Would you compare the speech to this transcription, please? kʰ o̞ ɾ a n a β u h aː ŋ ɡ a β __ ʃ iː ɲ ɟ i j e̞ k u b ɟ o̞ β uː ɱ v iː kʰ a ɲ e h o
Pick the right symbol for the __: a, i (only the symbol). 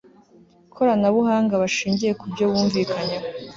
a